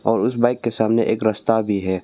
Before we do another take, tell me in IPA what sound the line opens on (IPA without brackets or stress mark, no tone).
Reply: ɔː